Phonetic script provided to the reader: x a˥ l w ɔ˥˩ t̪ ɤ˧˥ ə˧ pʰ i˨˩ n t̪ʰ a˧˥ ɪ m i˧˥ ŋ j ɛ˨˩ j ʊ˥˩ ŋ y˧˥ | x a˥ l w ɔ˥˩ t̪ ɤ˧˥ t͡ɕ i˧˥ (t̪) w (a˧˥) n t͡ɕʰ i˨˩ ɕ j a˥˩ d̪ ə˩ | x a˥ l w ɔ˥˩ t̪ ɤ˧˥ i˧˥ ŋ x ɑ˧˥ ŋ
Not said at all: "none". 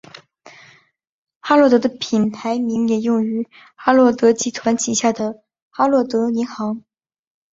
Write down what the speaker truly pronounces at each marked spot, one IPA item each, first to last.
t̪ʰ, a˧˥

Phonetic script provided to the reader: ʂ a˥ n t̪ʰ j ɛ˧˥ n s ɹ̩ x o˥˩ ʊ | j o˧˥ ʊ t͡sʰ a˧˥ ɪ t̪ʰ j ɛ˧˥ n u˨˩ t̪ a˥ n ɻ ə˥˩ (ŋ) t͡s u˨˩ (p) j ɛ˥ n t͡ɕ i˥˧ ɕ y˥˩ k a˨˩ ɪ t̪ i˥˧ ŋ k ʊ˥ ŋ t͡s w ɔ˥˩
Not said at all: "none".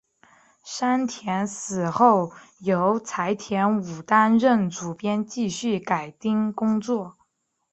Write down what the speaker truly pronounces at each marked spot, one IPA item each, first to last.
n, p

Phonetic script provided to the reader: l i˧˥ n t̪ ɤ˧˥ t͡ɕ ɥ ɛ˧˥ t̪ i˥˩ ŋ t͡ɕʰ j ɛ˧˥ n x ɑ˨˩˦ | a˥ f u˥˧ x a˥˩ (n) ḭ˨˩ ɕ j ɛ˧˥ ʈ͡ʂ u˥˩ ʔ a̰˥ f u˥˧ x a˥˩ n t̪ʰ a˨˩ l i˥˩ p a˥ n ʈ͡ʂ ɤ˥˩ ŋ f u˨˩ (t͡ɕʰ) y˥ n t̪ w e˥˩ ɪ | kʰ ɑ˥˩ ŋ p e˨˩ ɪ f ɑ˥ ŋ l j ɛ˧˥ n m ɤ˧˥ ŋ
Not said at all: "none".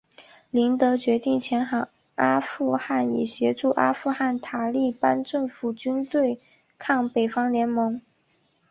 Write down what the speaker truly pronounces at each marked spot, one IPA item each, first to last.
n, t͡ɕ

